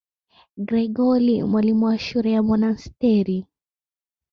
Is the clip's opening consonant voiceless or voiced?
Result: voiced